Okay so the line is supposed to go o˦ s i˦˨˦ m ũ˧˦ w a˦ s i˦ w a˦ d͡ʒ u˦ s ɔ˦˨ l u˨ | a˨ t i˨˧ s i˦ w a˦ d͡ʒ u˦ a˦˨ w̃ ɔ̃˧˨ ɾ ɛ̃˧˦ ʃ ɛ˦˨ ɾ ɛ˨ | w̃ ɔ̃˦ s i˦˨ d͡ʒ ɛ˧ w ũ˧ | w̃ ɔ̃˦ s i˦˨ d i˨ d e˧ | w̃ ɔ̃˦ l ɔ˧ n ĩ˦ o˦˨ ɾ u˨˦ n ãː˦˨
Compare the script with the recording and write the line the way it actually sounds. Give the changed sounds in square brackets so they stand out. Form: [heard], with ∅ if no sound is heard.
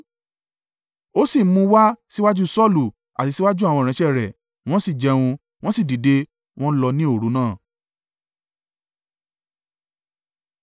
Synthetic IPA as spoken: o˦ s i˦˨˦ m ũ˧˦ w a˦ s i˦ w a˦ d͡ʒ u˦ s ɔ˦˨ l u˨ | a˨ t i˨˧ s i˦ w a˦ d͡ʒ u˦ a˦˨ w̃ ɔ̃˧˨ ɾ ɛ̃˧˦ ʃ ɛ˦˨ ɾ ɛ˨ | w̃ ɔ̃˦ s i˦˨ d͡ʒ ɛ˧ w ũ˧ | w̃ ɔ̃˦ s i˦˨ d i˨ d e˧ | w̃ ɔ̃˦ l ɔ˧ n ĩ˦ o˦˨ ɾ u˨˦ n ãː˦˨